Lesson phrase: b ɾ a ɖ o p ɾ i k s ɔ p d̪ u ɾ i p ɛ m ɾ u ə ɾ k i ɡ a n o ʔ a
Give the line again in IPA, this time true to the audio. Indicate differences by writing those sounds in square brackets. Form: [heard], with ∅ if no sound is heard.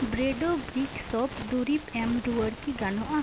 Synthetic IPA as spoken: b ɾ [e] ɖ o [b] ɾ i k s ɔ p d̪ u ɾ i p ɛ m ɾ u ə ɾ k i ɡ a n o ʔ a